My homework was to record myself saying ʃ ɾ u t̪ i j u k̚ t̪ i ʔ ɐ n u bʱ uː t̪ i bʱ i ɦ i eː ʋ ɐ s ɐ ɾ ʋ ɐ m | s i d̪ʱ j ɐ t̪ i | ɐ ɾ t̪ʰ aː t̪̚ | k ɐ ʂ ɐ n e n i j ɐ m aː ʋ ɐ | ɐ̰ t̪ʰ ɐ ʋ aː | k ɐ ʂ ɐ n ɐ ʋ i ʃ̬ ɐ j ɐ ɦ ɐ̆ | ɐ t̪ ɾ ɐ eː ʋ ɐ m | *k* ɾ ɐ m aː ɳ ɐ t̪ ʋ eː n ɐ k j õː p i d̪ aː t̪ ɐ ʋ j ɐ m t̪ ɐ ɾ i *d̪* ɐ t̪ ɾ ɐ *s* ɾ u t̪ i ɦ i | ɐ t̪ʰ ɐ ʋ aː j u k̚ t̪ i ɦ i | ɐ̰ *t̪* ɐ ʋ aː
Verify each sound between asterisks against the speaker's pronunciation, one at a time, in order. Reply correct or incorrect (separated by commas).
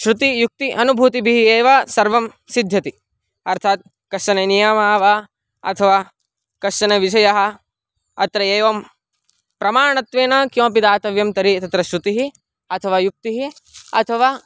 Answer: incorrect, incorrect, incorrect, incorrect